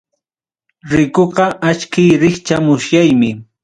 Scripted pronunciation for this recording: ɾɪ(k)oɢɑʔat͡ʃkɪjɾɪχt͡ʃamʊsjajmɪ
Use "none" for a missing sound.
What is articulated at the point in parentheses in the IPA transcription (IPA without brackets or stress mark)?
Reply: k